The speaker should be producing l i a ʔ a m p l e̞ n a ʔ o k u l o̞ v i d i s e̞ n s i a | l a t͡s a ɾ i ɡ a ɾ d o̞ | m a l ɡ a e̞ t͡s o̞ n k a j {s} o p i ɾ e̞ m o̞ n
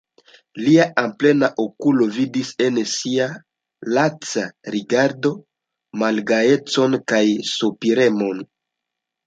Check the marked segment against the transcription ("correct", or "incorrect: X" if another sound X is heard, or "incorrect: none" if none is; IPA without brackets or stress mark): correct